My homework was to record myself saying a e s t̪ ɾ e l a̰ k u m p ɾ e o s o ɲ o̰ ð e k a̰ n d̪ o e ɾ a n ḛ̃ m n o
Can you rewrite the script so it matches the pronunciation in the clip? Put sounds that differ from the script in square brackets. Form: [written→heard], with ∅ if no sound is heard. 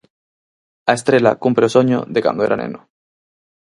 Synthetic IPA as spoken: a e s t̪ ɾ e l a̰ k u m p ɾ e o s o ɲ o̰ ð e k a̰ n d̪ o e ɾ a n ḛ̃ [m→∅] n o